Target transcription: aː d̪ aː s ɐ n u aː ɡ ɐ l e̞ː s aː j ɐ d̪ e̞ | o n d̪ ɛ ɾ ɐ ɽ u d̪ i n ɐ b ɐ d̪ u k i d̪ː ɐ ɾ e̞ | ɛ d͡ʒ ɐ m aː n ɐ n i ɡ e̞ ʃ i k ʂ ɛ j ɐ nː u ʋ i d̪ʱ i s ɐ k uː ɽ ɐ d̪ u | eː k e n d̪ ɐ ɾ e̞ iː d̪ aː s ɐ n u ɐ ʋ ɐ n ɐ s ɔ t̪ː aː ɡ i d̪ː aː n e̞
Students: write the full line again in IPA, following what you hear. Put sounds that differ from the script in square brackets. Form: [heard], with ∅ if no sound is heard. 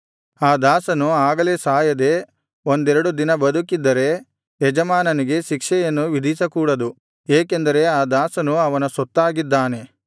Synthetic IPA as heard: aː d̪ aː s ɐ n u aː ɡ ɐ l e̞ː s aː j ɐ d̪ e̞ | o n d̪ ɛ ɾ ɐ ɽ u d̪ i n ɐ b ɐ d̪ u k i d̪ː ɐ ɾ e̞ | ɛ d͡ʒ ɐ m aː n ɐ n i ɡ e̞ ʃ i k ʂ ɛ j ɐ nː u ʋ i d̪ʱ i s ɐ k uː ɽ ɐ d̪ u | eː k e n d̪ ɐ ɾ e̞ [aː] d̪ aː s ɐ n u ɐ ʋ ɐ n ɐ s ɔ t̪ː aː ɡ i d̪ː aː n e̞